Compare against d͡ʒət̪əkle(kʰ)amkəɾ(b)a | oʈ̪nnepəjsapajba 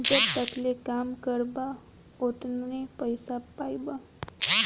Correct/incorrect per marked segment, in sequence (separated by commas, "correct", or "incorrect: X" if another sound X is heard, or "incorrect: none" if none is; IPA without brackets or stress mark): incorrect: k, correct